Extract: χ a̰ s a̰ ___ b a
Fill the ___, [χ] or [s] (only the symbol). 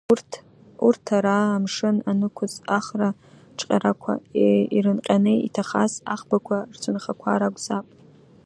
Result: χ